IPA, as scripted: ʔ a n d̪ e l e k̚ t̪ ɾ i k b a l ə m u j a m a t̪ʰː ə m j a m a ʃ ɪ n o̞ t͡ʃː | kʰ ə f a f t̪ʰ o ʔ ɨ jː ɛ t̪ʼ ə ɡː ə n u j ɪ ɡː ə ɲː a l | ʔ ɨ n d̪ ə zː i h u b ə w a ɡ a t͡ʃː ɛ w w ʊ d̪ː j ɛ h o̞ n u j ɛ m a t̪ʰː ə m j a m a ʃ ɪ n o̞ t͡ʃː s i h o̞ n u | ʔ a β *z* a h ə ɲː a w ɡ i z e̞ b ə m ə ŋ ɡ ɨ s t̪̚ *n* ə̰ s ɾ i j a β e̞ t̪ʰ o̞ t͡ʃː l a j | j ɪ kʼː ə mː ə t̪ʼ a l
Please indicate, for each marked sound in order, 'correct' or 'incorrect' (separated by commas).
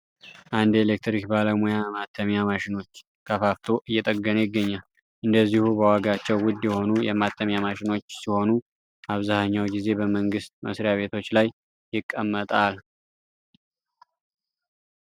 correct, incorrect